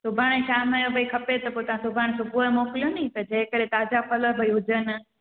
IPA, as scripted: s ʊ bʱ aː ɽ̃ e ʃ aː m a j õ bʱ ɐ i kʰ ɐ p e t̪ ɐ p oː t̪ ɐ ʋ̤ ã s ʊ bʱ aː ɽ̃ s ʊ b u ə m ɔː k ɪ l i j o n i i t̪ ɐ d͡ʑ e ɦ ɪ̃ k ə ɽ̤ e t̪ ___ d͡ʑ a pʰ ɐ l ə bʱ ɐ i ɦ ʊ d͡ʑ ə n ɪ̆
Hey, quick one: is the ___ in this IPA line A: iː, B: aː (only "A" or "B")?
B